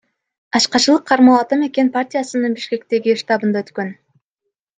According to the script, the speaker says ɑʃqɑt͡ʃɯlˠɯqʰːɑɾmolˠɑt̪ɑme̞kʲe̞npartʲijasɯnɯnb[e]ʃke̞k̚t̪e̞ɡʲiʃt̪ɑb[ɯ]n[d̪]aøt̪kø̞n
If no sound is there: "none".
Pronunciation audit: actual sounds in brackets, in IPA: i, ɯ, d̪

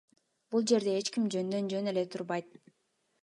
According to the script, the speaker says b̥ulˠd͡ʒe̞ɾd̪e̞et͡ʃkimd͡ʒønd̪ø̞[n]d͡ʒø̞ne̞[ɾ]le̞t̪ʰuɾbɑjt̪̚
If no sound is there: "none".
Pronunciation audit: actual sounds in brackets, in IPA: n, none

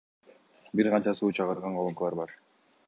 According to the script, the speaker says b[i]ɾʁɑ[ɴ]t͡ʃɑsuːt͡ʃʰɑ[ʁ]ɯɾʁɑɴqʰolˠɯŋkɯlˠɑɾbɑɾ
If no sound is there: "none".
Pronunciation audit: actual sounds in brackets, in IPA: i, n, ʁ

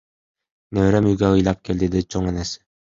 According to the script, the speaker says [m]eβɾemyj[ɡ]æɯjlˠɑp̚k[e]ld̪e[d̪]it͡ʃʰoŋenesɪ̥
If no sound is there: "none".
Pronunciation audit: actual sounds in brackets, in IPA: n, ɡ, e, d̪

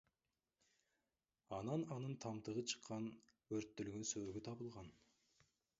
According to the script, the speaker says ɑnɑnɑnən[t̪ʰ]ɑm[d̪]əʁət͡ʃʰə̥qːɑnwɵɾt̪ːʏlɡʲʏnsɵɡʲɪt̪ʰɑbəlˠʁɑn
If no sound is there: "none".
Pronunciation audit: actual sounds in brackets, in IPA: t̪ʰ, t̪

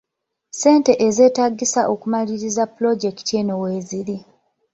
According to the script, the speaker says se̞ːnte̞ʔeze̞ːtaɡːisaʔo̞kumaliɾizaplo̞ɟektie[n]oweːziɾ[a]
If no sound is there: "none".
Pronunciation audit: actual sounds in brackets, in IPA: n, i

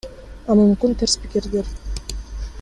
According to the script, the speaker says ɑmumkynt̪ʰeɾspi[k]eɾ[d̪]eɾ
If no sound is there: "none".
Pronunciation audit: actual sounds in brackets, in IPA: k, d̪

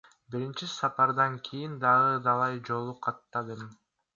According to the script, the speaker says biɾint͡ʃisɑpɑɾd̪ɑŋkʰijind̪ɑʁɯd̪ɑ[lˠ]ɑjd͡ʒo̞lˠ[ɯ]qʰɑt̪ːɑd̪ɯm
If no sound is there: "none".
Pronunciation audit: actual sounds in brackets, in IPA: lˠ, u

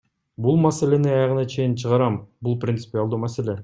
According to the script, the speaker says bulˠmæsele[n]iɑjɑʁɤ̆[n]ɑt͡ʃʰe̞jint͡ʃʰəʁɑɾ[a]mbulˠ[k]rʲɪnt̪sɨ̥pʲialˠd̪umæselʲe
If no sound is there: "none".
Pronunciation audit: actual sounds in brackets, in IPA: n, n, ɑ, p

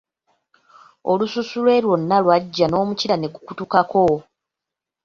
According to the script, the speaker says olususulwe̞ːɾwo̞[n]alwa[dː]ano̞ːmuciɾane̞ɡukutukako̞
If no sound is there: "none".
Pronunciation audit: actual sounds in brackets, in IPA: nː, ɟː

